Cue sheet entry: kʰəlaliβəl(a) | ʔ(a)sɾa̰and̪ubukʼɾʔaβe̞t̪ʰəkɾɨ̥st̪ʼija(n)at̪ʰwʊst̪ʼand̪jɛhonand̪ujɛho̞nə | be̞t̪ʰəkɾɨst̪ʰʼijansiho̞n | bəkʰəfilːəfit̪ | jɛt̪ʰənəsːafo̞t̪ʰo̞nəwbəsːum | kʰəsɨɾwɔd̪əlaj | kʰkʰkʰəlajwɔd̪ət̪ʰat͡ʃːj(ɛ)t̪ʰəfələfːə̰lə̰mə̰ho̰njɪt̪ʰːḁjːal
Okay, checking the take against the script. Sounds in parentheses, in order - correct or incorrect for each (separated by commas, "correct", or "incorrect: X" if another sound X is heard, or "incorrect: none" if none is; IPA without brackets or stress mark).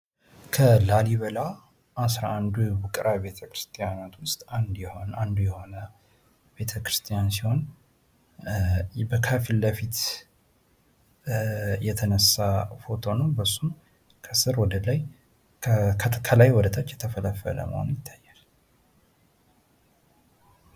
correct, correct, correct, correct